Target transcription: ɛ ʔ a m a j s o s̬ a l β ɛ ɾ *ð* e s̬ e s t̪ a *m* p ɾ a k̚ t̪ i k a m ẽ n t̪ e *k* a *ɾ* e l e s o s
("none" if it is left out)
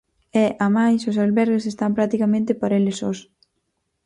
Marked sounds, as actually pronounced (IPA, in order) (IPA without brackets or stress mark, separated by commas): ɣ, m, p, ɾ